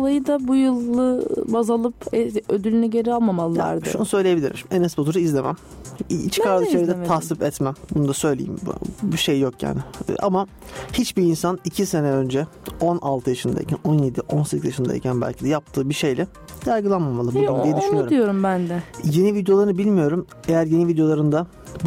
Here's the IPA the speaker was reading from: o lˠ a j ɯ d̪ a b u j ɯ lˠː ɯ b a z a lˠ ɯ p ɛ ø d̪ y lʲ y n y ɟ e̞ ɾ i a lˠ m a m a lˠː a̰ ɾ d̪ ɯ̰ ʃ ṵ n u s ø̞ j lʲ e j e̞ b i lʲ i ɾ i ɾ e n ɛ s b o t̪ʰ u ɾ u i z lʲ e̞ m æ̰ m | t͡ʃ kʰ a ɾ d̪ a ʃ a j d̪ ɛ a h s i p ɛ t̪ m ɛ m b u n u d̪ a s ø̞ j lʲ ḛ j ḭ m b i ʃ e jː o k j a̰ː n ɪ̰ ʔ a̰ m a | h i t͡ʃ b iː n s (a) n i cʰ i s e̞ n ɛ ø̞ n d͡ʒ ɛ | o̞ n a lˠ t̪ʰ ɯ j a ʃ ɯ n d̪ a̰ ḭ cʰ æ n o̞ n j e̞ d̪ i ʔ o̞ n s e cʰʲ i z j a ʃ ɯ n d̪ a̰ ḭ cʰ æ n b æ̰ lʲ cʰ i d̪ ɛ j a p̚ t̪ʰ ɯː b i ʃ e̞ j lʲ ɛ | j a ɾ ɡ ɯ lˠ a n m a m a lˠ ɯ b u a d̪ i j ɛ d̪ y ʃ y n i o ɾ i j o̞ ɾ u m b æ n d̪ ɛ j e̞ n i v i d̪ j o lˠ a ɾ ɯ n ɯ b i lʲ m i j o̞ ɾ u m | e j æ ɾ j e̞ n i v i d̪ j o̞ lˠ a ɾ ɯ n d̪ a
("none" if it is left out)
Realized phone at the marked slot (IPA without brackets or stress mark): a